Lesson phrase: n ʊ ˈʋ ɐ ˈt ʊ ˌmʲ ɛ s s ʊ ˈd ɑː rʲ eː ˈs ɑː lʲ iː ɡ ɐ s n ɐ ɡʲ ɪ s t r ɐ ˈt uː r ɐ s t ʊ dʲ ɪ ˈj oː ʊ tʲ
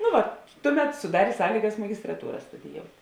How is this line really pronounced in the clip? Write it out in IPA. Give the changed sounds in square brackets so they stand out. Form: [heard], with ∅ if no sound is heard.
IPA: n ʊ ˈʋ ɐ ˈt ʊ ˌmʲ ɛ [t] s ʊ ˈd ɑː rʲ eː ˈs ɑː lʲ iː ɡ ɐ s [m] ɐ ɡʲ ɪ s t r ɐ ˈt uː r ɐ s t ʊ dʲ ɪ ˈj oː ʊ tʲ